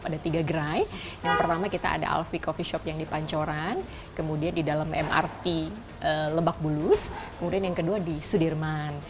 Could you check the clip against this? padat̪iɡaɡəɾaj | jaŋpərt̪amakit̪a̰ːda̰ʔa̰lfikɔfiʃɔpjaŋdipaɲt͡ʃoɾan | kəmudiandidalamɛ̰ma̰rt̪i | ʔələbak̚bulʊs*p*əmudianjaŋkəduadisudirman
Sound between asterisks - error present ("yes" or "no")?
yes